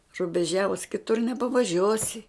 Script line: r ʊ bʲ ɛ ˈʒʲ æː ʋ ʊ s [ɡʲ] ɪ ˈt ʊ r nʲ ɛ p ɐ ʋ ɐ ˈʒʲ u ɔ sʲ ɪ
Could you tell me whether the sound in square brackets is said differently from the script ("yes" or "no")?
yes